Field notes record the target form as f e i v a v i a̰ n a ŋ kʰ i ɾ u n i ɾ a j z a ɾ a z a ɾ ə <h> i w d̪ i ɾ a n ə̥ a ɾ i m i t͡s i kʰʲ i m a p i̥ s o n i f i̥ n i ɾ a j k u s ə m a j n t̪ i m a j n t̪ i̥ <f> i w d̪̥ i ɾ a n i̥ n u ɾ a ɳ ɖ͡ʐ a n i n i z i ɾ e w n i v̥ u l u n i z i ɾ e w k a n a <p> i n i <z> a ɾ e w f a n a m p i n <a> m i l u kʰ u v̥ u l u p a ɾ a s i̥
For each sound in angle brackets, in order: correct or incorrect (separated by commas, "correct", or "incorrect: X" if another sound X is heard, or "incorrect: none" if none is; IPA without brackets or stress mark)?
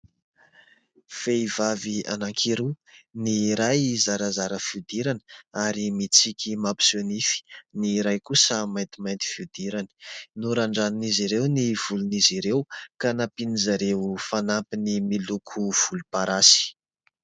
incorrect: f, correct, correct, correct, incorrect: i